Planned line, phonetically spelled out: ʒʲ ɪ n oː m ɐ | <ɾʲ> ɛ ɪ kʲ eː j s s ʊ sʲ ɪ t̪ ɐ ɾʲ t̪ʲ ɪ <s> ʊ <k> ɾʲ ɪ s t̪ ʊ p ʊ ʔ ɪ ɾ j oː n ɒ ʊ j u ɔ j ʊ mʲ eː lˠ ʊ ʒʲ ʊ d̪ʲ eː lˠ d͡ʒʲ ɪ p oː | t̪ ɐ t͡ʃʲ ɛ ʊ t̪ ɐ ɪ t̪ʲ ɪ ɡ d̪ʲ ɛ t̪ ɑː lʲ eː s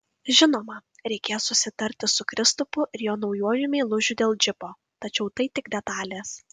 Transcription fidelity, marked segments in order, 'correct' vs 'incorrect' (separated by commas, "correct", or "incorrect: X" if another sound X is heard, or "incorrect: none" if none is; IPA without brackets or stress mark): correct, correct, correct